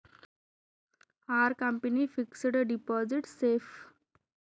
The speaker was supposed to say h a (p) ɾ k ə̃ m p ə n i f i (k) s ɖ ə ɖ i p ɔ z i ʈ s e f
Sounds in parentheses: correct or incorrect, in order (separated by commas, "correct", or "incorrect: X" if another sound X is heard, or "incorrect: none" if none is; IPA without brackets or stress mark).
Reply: incorrect: none, correct